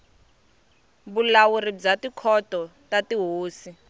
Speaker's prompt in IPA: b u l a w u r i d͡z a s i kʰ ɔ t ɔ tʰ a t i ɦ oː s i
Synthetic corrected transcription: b u l a w u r i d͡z a t i kʰ ɔ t ɔ t a t i ɦ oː s i